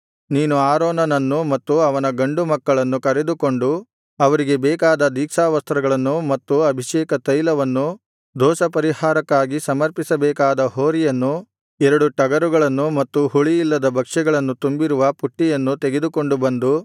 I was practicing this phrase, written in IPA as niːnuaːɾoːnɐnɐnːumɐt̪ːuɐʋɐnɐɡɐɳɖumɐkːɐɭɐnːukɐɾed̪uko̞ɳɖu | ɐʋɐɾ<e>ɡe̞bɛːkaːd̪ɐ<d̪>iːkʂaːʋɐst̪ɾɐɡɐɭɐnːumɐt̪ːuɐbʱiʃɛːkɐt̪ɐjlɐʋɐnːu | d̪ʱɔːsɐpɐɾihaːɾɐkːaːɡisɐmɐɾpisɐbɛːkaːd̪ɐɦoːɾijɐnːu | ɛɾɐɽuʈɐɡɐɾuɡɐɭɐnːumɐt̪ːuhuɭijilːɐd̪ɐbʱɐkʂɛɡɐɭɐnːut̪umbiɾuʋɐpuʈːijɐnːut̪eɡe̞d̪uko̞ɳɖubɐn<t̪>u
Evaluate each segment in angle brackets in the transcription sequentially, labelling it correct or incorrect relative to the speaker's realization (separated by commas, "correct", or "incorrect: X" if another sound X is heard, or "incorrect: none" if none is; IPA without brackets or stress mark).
incorrect: i, correct, incorrect: d̪